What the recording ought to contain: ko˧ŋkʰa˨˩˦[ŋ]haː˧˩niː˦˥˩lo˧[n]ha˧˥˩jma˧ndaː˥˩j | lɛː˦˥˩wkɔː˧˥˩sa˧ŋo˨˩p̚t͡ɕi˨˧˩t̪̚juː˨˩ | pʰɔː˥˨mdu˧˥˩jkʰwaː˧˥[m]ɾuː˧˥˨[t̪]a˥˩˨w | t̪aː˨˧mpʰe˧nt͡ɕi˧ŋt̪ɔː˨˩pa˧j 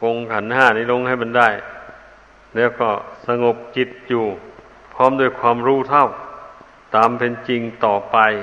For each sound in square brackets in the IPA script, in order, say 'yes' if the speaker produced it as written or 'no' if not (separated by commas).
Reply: no, no, yes, no